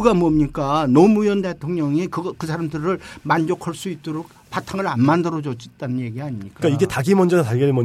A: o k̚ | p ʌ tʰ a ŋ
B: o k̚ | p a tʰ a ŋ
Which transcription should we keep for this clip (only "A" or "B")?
B